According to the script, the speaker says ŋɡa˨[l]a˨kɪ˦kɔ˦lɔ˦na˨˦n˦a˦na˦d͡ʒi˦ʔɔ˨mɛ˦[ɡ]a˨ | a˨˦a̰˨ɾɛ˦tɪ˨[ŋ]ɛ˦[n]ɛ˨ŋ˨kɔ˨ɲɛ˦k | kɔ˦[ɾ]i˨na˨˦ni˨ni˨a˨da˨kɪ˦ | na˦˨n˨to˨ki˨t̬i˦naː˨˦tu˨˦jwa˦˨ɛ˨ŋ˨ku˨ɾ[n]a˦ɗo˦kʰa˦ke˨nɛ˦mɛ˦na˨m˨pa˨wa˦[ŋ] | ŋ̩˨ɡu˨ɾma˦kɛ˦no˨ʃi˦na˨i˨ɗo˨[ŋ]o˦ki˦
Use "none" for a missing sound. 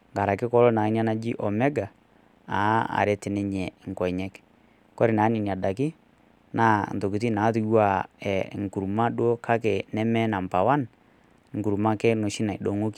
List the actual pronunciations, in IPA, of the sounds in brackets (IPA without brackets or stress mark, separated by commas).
ɾ, ɡ, n, ɲ, ɾ, m, n, ŋ